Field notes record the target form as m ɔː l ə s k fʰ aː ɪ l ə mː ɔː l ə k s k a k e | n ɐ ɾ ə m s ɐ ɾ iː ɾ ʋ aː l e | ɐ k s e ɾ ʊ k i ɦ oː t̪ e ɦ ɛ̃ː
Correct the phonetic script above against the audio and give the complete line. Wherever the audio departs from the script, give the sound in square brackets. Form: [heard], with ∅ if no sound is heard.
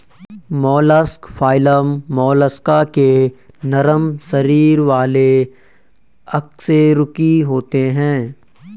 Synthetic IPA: m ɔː l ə s k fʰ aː ɪ l ə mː ɔː l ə [∅] s k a k e | n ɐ ɾ ə m s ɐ ɾ iː ɾ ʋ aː l e | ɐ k s e ɾ ʊ k i ɦ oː t̪ e ɦ ɛ̃ː

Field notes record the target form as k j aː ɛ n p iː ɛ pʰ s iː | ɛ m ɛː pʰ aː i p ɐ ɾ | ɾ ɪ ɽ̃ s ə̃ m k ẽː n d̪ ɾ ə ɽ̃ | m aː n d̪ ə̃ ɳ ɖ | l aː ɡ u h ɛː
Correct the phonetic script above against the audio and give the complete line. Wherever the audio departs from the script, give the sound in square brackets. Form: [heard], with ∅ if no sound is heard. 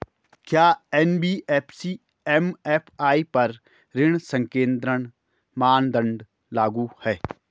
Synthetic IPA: k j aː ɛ n [b] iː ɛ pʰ s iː | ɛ m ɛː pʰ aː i p ɐ ɾ | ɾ ɪ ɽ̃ s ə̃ [ŋ] k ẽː n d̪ ɾ ə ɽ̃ | m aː n d̪ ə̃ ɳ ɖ | l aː ɡ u h ɛː

